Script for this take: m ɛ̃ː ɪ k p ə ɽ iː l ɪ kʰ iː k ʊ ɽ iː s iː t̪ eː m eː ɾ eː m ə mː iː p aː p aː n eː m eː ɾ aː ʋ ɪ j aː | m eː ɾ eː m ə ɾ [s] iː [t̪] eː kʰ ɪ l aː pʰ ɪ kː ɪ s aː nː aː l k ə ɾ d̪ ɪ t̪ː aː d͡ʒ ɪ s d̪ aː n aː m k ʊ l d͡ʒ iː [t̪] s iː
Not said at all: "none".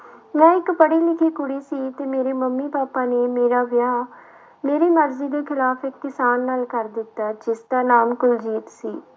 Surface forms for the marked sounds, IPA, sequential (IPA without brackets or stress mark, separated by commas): z, d̪, t̪